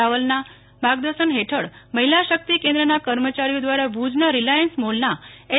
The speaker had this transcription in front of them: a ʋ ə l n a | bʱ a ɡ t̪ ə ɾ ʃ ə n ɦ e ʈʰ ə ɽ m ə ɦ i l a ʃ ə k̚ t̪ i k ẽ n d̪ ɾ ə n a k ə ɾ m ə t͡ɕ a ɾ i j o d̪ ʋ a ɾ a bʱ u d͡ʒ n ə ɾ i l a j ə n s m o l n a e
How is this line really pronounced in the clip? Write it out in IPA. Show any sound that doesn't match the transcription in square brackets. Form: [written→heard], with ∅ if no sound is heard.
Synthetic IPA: a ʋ ə l n a | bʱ a ɡ [t̪→d̪] ə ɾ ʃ ə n ɦ e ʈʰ ə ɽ m ə ɦ i l a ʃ ə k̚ t̪ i k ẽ n d̪ ɾ ə n a k ə ɾ m ə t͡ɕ a ɾ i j o d̪ ʋ a ɾ a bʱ u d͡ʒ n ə ɾ i l a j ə n s m o l n a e